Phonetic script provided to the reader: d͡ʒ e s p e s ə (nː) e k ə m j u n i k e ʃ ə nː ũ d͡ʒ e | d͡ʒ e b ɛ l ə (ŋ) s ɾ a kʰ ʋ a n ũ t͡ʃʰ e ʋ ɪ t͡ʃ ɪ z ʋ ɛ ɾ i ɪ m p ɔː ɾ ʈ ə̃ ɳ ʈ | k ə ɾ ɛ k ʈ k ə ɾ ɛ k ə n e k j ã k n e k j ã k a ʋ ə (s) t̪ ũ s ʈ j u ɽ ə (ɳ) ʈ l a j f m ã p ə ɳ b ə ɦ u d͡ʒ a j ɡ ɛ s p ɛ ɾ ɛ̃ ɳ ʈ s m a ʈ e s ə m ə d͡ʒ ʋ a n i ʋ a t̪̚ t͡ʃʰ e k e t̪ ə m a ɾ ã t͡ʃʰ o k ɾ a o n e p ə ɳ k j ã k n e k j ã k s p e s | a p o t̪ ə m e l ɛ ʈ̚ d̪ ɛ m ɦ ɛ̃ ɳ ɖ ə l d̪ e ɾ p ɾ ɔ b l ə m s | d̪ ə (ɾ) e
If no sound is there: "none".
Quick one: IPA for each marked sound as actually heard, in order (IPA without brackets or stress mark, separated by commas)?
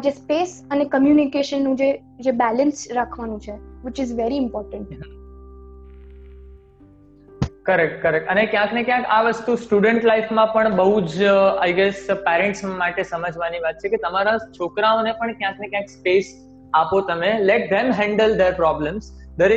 n, n, s, ɳ, ɾ